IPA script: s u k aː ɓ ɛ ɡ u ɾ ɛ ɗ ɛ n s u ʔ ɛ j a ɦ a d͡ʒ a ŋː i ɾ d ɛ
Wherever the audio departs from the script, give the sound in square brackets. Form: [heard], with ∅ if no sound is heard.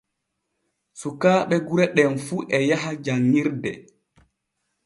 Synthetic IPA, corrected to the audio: s u k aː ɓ ɛ ɡ u ɾ ɛ ɗ ɛ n [f] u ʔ ɛ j a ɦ a d͡ʒ a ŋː i ɾ d ɛ